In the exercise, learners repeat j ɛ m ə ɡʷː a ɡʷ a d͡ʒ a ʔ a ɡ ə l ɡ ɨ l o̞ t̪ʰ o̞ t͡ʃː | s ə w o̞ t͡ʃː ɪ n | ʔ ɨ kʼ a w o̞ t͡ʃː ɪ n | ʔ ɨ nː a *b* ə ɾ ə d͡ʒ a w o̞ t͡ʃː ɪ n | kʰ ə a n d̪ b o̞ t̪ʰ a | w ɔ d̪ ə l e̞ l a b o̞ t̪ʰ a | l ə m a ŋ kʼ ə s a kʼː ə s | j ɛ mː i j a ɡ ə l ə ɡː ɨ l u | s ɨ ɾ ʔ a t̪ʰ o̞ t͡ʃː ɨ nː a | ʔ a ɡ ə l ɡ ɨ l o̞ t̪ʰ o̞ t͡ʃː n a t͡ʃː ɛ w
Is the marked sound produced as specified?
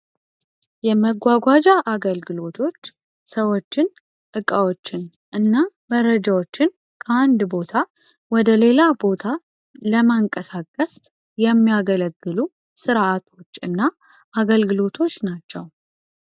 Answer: no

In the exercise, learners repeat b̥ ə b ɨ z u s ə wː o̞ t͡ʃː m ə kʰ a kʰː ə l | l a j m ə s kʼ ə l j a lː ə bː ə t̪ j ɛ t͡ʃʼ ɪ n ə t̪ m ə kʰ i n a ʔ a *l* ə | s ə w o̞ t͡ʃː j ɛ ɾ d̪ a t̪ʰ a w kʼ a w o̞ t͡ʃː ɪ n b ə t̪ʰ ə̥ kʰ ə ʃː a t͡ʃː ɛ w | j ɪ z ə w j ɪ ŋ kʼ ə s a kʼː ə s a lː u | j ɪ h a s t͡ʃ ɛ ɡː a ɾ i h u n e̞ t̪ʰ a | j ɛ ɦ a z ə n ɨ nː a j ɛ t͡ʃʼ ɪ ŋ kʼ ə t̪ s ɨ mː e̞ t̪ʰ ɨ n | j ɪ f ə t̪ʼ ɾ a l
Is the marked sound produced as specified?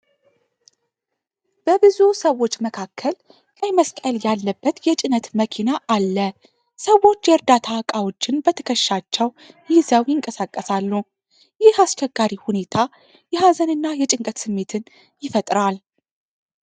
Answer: no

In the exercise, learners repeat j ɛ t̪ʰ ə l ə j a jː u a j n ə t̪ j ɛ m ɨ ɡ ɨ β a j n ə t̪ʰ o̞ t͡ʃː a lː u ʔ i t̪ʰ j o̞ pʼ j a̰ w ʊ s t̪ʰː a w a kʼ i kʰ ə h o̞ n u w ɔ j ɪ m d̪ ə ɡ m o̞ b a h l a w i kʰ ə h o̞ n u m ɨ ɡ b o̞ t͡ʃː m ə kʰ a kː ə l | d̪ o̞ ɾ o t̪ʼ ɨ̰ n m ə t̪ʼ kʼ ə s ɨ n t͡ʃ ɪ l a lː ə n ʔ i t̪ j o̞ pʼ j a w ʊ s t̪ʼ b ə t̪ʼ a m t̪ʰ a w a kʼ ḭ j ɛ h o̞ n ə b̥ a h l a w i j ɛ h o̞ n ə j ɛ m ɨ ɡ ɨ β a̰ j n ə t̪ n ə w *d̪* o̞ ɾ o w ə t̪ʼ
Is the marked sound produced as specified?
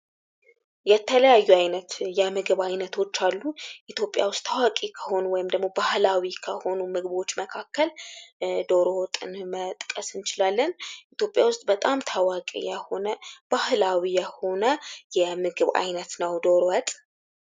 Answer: yes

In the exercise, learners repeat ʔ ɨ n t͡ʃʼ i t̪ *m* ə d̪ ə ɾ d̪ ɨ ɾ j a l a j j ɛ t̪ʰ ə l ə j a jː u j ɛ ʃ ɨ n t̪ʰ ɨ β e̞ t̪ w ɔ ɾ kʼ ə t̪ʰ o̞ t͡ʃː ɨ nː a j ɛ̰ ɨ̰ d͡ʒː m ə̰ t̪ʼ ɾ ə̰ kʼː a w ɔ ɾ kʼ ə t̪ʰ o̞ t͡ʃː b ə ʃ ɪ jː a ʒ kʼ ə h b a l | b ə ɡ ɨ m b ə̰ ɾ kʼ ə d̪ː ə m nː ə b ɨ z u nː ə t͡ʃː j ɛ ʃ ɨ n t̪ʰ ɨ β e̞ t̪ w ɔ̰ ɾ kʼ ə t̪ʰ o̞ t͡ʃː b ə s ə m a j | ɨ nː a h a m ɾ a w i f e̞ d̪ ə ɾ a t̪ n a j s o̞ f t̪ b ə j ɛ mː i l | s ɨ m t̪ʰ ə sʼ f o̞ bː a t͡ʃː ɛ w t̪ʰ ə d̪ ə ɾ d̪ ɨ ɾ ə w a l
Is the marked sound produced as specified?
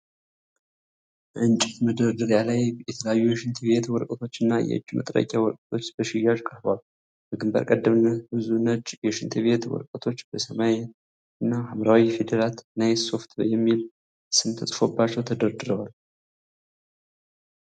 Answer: yes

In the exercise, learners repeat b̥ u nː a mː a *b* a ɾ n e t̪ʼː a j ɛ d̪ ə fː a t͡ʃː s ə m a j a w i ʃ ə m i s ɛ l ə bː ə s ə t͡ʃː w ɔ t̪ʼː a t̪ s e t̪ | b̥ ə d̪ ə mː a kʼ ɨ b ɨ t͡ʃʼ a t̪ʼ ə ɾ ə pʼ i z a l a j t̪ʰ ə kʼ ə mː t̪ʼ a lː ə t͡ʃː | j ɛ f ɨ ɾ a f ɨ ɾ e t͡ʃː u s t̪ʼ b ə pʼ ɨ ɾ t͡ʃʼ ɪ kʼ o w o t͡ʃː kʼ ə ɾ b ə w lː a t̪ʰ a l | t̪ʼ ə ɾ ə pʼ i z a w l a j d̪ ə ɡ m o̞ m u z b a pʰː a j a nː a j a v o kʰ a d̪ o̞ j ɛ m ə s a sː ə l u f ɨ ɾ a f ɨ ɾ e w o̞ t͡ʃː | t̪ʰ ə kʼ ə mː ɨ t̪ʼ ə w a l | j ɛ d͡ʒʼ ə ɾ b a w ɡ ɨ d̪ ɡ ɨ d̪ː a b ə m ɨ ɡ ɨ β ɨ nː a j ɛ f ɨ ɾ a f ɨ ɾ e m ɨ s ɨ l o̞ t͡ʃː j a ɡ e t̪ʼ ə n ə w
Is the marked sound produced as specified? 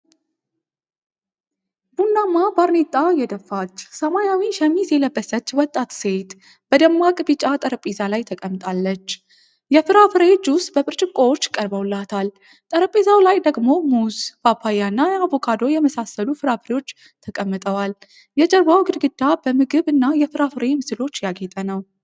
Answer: yes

